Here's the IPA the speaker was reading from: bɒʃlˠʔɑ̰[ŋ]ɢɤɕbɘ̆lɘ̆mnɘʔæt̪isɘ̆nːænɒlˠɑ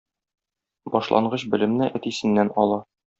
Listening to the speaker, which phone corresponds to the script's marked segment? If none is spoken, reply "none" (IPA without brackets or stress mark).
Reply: ɴ